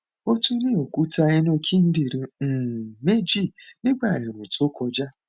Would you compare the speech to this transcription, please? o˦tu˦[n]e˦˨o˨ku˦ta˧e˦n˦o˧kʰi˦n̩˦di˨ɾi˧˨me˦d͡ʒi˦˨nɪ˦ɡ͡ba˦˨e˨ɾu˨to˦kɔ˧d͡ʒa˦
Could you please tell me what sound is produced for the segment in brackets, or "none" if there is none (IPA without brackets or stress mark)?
n